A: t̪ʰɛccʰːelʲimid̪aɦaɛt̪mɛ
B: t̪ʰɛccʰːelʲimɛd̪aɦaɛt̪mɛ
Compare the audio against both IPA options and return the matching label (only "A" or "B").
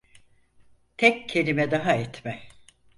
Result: B